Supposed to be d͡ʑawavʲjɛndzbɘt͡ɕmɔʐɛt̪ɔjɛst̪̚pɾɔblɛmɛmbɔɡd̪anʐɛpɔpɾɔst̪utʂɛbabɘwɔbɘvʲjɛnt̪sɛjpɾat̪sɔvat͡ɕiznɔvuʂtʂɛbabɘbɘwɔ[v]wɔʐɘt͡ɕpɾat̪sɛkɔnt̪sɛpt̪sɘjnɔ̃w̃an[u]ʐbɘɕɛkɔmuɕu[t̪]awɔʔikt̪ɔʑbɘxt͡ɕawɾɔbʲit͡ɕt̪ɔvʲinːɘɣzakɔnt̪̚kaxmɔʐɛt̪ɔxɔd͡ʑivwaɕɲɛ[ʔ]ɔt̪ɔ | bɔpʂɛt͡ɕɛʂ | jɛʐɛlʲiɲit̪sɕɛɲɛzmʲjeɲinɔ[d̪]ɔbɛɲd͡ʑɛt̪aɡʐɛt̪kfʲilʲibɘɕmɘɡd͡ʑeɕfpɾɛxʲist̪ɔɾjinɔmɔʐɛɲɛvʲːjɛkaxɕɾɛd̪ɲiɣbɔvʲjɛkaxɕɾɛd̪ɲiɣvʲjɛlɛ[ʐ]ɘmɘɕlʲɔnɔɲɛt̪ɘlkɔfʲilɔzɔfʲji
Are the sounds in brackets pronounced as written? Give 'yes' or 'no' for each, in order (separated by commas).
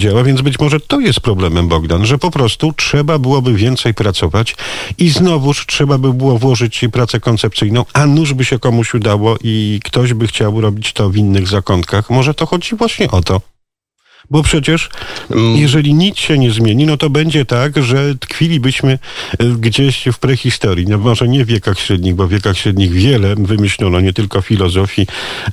yes, yes, no, yes, no, no